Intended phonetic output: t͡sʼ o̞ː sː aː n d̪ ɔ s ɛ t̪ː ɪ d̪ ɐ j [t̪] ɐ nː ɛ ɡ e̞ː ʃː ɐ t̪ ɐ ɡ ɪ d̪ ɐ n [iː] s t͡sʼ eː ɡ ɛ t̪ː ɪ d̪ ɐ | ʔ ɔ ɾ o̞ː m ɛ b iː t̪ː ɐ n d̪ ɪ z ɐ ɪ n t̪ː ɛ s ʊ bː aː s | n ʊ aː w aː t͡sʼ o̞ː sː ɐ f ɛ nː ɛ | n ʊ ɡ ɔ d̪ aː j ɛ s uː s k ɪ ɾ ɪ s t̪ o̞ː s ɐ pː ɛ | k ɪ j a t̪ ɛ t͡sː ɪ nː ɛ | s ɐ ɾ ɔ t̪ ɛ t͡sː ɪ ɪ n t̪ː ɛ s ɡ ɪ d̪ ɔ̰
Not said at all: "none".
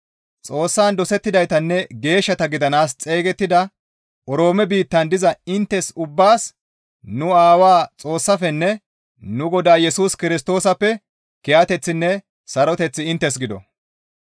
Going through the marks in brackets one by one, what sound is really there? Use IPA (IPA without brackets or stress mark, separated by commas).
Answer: t̪, aː